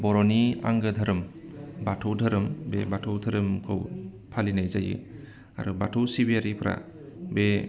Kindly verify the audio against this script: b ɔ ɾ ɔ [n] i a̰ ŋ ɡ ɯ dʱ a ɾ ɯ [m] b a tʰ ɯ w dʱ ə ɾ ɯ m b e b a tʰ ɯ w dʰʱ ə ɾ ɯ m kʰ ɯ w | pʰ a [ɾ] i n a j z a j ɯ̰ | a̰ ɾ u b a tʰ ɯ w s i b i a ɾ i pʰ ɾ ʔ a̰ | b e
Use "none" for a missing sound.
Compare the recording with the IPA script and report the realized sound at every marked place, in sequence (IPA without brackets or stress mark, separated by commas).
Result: n, m, l